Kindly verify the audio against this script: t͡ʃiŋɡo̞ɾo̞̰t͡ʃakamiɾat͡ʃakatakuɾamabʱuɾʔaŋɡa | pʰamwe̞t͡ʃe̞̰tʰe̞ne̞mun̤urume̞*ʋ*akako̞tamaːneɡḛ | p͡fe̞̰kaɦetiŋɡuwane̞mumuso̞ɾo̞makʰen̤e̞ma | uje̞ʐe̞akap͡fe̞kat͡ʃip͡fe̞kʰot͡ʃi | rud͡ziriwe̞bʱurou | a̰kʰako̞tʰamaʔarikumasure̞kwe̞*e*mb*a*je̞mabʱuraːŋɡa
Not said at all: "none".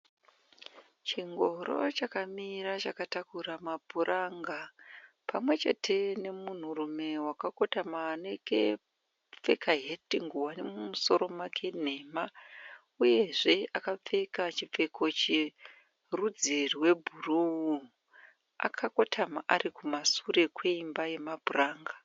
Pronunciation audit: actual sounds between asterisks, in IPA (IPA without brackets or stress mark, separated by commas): w, i, a